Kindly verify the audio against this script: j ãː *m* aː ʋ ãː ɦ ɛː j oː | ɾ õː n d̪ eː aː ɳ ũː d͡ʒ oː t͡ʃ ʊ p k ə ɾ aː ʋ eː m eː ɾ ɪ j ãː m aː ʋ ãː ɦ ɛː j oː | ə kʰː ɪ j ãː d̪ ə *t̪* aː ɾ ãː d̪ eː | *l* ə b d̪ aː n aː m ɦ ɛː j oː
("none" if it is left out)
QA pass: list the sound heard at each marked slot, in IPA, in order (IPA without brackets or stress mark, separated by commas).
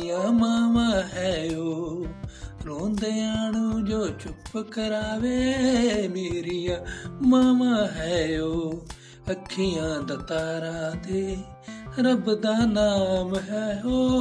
m, t̪, ɾ